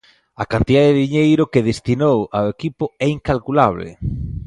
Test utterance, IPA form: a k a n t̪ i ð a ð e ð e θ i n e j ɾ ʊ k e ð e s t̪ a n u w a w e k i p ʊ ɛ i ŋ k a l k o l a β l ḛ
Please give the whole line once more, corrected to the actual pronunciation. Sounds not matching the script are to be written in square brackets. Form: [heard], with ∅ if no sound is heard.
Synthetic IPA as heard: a k a n t̪ i ð a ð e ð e [ð] i [ɲ] e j ɾ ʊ k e ð e s t̪ [i] n [o] w a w e k i p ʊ ɛ i ŋ k a l k [u] l a β l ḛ